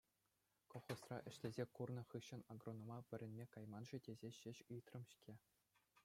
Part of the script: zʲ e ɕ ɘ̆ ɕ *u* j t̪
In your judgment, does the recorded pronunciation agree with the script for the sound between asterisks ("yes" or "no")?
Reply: no